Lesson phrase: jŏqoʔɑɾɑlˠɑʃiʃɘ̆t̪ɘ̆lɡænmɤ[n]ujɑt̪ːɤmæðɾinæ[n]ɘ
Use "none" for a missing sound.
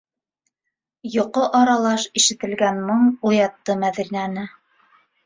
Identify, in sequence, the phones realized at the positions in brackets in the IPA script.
ɴ, n

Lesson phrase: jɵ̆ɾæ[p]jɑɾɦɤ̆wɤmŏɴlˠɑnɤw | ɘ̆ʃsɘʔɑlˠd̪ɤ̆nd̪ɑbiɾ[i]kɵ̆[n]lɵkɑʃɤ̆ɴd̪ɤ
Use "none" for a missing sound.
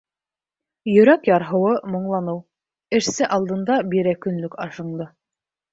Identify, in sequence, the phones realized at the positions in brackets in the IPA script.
k, æ, n

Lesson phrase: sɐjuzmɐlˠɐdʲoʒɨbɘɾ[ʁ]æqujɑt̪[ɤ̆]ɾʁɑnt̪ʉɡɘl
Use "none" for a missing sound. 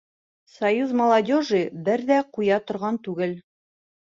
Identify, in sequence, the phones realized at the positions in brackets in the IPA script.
ð, ŏ

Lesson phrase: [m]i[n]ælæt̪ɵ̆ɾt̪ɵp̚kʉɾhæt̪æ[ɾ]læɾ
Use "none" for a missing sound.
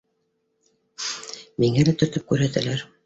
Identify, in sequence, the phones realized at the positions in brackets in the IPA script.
m, ŋ, none

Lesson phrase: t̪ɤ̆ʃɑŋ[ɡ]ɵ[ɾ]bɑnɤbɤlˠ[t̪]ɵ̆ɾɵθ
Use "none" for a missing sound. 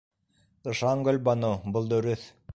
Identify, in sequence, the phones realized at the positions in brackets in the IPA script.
ɡ, l, d̪

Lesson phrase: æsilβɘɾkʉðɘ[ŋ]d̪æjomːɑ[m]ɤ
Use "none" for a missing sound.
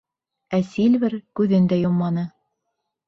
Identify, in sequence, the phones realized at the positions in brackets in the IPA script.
n, n

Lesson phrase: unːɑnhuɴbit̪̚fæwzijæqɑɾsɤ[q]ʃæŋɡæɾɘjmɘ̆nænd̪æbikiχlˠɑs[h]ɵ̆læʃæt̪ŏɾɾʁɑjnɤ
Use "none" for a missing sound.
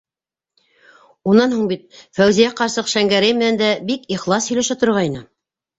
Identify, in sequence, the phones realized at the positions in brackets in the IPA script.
q, h

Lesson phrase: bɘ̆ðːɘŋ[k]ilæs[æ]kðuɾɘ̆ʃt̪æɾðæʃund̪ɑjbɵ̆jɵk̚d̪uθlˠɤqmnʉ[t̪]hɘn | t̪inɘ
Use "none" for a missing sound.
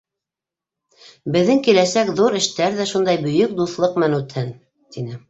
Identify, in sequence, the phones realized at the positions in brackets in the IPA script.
k, æ, t̪

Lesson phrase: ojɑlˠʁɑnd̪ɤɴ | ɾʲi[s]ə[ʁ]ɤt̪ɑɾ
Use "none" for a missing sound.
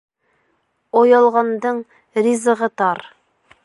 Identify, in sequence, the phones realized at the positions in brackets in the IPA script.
z, ʁ

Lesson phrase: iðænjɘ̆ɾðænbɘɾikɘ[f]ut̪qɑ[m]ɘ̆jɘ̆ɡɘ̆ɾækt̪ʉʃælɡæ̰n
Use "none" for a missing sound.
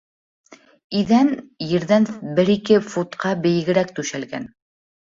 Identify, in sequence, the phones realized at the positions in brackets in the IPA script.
f, b

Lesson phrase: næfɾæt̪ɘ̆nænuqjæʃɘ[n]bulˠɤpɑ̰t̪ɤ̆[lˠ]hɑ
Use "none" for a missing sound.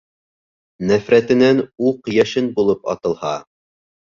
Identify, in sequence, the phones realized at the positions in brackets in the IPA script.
n, lˠ

